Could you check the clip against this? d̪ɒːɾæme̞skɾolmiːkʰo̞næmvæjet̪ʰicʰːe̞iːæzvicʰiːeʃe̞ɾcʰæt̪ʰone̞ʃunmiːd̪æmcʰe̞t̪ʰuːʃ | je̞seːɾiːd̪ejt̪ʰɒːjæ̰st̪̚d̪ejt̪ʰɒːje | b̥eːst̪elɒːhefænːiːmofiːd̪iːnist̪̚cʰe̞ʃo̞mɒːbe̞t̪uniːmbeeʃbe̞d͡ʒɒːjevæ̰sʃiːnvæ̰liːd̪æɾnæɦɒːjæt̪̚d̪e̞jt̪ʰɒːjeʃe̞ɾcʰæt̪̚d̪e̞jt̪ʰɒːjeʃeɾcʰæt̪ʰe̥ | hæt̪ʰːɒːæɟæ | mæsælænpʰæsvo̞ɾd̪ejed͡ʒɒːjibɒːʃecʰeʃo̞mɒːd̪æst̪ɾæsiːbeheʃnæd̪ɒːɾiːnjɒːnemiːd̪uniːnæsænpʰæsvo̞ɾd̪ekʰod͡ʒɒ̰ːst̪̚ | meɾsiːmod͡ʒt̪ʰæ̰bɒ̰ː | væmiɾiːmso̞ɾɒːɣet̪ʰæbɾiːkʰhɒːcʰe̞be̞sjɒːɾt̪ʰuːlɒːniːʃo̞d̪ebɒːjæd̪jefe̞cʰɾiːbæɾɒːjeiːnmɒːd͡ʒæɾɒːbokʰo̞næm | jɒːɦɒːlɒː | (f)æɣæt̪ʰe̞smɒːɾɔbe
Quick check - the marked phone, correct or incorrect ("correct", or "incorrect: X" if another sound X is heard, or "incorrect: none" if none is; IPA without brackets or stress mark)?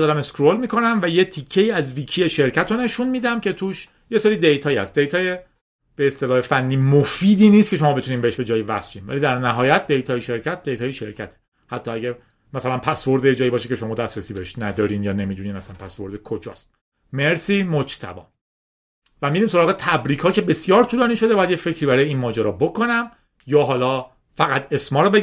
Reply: correct